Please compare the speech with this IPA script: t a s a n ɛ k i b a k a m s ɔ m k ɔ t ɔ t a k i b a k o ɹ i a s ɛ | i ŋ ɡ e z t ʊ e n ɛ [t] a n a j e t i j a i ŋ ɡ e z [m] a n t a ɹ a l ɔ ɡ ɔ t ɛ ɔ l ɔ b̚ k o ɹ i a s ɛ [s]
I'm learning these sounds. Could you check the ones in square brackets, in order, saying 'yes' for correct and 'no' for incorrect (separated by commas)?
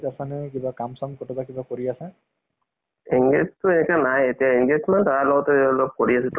no, yes, no